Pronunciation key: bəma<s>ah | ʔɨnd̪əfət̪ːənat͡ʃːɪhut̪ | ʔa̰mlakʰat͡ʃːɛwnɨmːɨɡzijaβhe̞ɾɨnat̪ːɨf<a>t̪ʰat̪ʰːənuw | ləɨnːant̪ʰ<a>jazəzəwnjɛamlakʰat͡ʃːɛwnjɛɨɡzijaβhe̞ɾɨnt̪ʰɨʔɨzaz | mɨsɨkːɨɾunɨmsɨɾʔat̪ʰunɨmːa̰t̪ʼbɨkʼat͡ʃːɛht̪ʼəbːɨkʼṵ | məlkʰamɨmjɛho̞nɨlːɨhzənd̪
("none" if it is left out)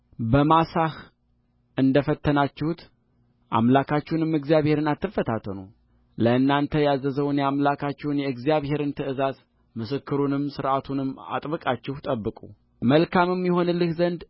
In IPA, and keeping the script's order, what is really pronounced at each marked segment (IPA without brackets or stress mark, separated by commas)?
s, ə, ə